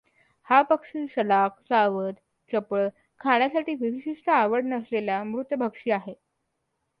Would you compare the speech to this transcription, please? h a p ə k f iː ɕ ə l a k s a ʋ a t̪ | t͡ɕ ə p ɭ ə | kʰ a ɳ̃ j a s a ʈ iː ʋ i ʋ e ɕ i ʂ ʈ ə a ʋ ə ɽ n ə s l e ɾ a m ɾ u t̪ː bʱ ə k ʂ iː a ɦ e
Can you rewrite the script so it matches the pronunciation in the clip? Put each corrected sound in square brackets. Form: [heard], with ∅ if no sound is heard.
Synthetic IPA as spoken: h a p ə k [ʂ] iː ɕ ə l a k s a ʋ [ə] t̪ | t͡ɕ ə p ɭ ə | kʰ a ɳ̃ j a s a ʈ iː ʋ i ʋ [i] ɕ i ʂ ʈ ə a ʋ ə ɽ n ə s l e [l] a m ɾ u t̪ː bʱ ə k ʂ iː a ɦ e